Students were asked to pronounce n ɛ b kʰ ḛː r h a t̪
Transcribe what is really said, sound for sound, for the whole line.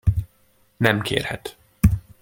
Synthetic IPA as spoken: n ɛ m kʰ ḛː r h ɛ t̪